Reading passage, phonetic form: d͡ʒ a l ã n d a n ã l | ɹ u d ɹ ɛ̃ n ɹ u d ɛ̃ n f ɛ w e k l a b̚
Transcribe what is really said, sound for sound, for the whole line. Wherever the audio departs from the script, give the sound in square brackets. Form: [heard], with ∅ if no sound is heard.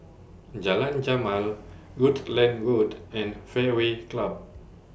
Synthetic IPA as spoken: d͡ʒ a l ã n [d͡ʒ] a [m] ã l | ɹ u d [l] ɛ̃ n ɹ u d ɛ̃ n f ɛ w e k l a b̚